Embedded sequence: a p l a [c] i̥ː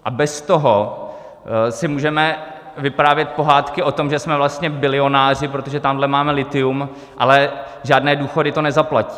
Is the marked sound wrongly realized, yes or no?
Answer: no